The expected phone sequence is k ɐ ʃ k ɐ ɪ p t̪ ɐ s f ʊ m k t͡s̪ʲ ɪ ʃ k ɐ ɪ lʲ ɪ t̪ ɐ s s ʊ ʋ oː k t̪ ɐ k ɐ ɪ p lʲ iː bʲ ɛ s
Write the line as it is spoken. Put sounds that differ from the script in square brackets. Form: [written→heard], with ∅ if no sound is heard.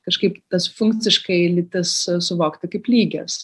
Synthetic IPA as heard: k ɐ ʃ k ɐ ɪ p t̪ ɐ s f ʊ [m→ŋ] k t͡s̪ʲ ɪ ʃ k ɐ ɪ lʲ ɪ t̪ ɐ s s ʊ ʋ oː k t̪ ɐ k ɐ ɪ p lʲ iː [bʲ→ɡʲ] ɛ s